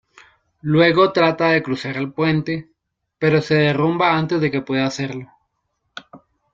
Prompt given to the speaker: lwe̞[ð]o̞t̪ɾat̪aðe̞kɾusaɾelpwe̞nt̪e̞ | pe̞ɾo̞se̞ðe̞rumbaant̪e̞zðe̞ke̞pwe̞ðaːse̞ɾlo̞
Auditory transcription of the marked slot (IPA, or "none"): ɣ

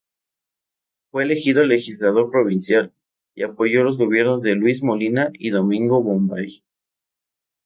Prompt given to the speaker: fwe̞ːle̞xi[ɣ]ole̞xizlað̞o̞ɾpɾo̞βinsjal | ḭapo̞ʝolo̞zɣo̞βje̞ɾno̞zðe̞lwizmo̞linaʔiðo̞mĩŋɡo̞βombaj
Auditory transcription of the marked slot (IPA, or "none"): ð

